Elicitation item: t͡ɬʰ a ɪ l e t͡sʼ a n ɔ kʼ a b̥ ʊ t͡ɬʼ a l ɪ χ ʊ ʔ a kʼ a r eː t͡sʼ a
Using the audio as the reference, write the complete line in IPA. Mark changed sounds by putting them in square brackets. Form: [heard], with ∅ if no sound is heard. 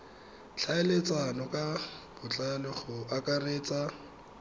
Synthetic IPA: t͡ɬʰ a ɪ l e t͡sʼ a n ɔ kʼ a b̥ ʊ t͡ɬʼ a l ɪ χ ʊ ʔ a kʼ a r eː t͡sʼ a